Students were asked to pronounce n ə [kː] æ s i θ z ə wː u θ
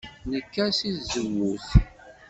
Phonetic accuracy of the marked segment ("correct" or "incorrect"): correct